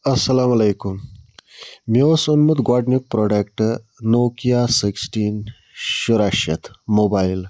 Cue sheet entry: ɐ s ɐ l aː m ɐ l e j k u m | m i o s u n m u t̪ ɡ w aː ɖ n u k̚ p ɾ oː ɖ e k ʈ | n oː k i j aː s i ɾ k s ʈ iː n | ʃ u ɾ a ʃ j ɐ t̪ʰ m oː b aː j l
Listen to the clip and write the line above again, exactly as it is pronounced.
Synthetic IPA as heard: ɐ s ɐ l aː m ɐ l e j k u m | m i o s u n m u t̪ ɡ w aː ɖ n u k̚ p ɾ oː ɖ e k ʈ | n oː k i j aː s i k s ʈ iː n | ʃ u ɾ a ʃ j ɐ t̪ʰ m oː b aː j l